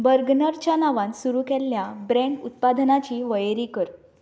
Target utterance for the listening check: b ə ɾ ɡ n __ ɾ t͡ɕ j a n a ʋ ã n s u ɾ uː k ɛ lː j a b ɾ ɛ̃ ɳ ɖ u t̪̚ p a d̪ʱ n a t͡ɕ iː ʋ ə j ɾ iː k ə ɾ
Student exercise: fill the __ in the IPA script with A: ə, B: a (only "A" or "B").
A